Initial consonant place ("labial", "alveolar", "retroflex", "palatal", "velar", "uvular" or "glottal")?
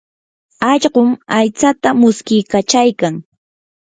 palatal